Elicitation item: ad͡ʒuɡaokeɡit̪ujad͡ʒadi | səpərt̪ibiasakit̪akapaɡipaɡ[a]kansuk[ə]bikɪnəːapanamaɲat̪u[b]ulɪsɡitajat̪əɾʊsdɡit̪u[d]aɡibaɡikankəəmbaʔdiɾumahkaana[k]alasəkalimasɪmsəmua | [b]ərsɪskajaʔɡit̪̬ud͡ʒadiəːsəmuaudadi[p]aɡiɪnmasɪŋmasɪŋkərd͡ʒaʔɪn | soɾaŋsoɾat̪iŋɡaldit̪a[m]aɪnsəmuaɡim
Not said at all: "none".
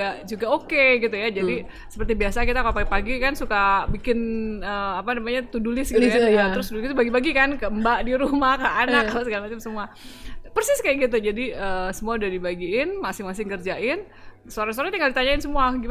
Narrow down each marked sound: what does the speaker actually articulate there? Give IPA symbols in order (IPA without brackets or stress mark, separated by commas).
i, a, d, b, k, p, b, ɲ